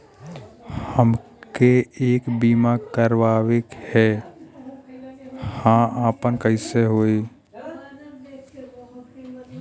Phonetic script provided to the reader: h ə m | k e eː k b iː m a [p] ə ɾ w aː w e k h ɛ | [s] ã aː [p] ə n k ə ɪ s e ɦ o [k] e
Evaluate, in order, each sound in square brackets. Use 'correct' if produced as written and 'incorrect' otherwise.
incorrect: k, incorrect: h, correct, incorrect: none

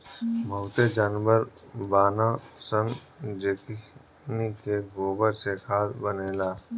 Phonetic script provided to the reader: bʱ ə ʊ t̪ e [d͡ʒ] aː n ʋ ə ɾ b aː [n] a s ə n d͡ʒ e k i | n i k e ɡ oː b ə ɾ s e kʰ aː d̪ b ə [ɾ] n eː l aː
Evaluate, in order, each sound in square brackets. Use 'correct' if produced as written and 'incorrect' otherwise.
correct, correct, incorrect: none

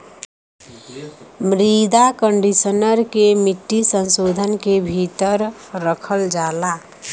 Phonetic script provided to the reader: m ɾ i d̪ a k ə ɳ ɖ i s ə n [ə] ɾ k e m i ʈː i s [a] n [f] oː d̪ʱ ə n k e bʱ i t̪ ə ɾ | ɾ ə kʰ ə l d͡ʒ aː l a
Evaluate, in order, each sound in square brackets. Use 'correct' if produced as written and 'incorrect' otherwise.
correct, incorrect: ə, incorrect: s

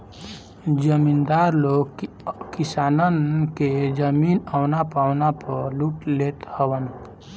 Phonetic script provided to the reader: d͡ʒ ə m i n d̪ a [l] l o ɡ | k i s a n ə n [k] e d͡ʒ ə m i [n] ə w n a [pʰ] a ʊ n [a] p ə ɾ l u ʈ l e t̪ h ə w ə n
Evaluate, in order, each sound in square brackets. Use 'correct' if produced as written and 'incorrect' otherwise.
incorrect: ɾ, correct, correct, incorrect: p, correct

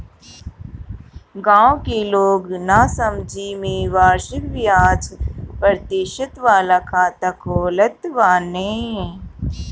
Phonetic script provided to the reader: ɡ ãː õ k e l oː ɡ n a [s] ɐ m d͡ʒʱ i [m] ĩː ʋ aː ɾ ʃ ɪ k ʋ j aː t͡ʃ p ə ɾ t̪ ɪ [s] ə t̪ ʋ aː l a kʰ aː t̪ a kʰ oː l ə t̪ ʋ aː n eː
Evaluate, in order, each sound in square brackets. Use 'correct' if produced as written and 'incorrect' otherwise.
correct, correct, incorrect: ʃ

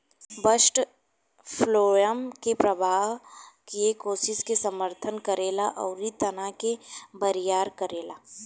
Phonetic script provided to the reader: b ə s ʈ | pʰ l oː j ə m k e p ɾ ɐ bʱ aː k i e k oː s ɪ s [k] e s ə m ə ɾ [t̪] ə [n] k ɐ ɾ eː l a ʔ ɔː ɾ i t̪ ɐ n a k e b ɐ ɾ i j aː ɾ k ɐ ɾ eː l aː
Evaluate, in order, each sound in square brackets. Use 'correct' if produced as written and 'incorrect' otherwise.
correct, incorrect: t̪ʰ, correct

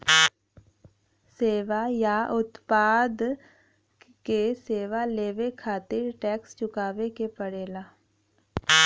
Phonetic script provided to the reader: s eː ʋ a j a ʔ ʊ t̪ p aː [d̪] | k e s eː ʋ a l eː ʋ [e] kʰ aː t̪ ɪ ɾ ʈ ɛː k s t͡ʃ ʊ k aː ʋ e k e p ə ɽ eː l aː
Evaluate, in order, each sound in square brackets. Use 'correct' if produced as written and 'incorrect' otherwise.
correct, correct

